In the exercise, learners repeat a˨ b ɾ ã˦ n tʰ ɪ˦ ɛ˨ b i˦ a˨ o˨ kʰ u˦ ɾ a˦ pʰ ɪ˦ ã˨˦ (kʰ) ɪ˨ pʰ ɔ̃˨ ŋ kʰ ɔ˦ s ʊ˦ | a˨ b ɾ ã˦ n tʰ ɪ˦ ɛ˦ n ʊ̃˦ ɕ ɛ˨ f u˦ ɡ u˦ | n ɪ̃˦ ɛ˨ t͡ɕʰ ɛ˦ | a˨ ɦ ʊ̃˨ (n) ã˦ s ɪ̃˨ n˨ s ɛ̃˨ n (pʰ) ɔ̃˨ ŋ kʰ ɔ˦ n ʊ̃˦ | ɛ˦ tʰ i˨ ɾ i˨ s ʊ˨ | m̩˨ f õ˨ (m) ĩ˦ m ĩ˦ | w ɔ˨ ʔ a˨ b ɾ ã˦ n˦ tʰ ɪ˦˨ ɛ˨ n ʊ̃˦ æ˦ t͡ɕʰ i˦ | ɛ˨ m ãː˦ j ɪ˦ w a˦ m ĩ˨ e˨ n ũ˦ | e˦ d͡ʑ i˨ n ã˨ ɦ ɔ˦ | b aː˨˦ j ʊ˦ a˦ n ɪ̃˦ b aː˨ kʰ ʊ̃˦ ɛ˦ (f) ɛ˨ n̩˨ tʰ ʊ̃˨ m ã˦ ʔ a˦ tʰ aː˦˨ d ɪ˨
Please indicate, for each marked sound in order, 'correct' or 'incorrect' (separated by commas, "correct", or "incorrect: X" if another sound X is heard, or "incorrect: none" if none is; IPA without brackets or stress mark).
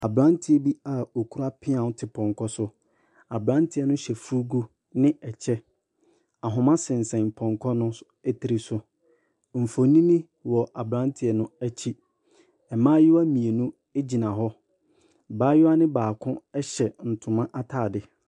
incorrect: tʰ, incorrect: m, correct, incorrect: n, incorrect: ɕ